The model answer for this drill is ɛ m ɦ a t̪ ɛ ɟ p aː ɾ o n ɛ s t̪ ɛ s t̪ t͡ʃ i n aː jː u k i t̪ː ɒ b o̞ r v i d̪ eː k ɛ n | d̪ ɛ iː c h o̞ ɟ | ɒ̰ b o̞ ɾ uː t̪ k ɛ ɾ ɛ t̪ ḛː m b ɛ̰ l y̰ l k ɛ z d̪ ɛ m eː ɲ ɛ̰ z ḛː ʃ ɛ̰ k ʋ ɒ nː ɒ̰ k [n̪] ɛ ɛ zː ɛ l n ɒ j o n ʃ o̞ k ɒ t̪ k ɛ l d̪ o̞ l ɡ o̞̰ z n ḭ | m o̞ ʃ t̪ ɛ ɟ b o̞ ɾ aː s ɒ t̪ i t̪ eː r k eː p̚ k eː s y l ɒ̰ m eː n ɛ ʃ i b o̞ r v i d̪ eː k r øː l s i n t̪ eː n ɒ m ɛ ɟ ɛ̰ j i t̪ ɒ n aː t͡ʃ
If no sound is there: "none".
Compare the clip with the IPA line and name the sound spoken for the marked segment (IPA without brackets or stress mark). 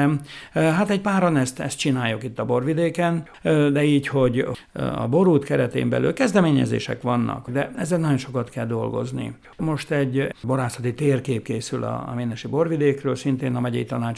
d̪